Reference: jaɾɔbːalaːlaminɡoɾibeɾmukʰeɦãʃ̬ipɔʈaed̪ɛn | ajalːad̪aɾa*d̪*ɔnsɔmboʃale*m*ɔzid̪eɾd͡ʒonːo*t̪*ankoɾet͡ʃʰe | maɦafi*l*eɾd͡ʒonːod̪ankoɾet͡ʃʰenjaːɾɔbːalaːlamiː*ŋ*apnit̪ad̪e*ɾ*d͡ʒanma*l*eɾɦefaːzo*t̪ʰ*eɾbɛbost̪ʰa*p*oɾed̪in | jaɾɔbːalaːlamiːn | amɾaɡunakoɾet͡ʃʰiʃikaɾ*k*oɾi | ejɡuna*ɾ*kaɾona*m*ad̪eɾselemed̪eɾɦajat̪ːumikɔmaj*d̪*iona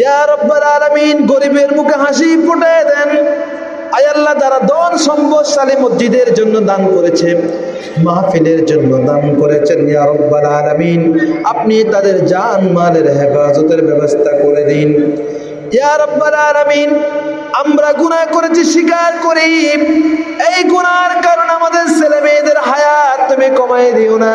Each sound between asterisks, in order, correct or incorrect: correct, correct, incorrect: d̪, correct, incorrect: n, correct, correct, incorrect: t̪, incorrect: k, correct, correct, correct, correct

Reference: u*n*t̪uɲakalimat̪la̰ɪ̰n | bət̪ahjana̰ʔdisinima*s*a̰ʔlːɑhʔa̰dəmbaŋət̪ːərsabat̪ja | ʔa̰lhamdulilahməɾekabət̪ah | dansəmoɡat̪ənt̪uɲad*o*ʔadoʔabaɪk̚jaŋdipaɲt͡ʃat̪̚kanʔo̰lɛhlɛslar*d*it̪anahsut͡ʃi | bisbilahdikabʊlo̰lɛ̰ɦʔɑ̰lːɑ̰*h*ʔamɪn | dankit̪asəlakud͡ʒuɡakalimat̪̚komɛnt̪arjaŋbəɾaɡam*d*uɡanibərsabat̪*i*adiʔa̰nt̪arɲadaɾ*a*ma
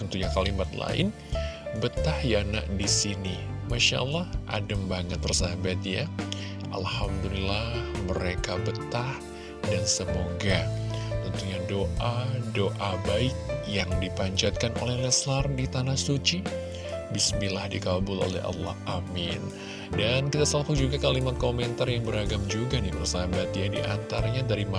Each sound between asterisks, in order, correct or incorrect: correct, incorrect: ʃ, correct, correct, correct, incorrect: d͡ʒ, incorrect: j, incorrect: i

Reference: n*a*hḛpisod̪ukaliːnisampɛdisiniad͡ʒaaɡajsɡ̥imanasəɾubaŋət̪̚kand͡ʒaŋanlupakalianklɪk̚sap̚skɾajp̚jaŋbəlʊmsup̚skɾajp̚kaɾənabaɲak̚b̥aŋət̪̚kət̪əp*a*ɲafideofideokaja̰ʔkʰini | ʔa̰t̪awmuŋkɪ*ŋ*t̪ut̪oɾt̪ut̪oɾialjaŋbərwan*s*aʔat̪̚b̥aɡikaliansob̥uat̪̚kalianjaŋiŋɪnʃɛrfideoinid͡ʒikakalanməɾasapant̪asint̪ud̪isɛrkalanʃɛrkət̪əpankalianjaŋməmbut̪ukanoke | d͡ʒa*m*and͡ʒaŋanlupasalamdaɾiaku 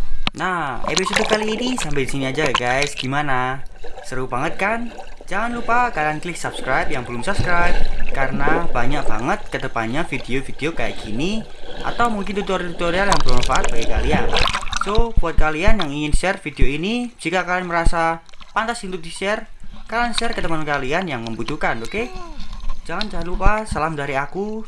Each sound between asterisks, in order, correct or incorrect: correct, correct, incorrect: n, incorrect: f, incorrect: ŋ

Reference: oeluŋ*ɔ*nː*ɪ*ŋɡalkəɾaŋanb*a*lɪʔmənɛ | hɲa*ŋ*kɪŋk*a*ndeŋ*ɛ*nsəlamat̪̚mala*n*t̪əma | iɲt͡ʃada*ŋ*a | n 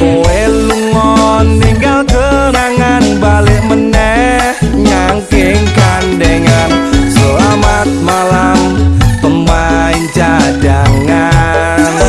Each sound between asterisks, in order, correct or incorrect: correct, incorrect: i, correct, correct, correct, incorrect: a, incorrect: m, correct

